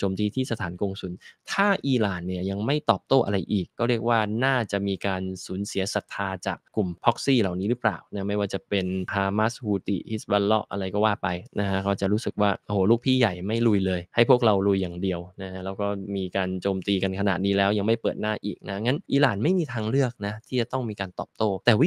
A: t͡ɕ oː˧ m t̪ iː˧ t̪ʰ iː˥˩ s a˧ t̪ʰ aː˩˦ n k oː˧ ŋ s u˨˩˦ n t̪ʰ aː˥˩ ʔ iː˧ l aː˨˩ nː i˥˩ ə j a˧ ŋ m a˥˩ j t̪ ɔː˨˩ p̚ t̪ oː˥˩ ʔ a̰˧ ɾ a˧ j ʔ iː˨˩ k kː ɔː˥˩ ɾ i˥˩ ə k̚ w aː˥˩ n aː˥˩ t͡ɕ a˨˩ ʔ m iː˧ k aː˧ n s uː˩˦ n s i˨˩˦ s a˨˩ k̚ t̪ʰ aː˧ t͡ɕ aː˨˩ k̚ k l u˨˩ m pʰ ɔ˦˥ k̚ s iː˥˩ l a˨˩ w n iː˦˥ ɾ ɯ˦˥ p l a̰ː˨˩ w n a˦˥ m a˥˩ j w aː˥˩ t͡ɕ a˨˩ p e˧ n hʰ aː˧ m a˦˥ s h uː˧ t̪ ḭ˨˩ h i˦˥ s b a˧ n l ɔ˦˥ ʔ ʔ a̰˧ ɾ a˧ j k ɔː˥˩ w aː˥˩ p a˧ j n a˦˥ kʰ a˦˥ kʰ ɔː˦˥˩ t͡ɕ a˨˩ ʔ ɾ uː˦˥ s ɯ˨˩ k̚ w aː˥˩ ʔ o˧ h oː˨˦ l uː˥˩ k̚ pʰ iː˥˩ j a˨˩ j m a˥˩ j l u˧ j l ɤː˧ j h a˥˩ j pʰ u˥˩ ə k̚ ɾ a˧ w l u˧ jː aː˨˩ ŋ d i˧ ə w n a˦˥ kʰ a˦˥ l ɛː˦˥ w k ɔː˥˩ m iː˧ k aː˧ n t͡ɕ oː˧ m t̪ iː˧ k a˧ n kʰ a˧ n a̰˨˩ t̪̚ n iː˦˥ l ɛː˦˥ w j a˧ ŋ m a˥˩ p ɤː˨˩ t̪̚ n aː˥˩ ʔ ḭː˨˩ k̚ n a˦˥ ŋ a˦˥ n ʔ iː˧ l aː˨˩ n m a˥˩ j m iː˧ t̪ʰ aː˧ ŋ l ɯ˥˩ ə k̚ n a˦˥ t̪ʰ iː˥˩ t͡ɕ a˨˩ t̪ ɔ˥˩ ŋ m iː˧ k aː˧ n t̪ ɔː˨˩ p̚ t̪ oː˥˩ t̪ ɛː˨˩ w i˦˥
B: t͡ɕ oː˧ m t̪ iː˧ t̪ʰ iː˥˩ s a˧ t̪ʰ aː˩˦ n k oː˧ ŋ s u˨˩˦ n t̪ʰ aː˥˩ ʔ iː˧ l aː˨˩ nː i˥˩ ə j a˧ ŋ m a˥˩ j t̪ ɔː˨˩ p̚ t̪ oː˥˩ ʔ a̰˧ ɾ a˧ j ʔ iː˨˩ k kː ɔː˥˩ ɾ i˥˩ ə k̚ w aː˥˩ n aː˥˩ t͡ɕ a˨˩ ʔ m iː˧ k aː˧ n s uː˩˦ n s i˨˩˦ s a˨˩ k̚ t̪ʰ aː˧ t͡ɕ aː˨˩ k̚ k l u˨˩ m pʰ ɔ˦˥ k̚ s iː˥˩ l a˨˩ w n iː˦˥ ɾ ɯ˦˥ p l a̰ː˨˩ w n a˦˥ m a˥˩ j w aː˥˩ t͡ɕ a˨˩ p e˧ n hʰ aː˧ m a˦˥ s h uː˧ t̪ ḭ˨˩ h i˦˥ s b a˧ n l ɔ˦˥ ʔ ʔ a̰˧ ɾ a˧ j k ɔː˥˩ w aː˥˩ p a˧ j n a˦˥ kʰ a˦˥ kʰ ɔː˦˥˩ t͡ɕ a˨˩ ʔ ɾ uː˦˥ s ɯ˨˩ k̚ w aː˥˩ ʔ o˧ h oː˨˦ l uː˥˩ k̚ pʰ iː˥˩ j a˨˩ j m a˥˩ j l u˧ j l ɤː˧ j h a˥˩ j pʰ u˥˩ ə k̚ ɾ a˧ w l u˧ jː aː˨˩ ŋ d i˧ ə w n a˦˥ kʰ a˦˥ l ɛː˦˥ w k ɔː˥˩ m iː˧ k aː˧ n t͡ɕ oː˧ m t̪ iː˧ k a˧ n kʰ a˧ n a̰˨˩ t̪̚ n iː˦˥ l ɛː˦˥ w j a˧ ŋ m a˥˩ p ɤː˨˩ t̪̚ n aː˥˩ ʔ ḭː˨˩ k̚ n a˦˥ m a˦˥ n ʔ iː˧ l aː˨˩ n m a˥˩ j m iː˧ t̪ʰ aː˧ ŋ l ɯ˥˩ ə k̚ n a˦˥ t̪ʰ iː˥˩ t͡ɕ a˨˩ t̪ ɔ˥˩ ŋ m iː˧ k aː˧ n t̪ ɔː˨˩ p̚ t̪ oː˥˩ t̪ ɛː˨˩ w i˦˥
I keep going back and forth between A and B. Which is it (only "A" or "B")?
A